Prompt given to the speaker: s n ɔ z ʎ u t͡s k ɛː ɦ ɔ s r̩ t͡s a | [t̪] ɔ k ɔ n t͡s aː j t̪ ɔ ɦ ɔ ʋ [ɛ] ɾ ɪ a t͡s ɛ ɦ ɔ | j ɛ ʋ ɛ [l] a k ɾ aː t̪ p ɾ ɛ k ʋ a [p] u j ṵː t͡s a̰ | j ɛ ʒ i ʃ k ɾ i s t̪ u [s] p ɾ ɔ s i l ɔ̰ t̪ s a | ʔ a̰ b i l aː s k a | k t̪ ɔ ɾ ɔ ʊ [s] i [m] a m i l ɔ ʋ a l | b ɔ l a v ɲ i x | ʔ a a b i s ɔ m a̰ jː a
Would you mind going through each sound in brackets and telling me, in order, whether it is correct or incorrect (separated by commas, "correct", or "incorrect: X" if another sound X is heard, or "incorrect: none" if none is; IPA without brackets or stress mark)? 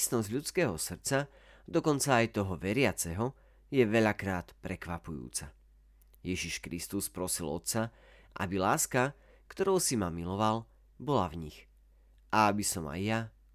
incorrect: d̪, correct, incorrect: ʎ, correct, correct, correct, correct